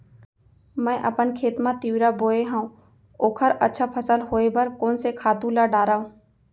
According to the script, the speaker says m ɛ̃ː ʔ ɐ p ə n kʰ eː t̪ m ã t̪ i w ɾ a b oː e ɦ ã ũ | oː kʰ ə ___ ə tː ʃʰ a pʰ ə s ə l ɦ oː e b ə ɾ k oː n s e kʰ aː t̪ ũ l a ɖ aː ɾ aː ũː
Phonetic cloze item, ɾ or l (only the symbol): ɾ